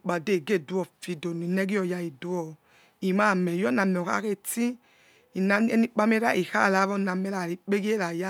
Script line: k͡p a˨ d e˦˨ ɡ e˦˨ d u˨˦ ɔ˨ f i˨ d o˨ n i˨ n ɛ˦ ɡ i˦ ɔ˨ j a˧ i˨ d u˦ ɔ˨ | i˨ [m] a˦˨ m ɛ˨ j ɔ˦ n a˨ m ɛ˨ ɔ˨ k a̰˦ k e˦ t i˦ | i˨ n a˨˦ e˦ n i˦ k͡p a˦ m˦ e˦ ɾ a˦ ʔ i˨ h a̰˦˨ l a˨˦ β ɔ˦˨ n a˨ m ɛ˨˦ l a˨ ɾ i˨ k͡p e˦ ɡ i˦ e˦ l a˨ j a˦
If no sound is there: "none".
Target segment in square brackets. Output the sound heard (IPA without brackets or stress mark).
m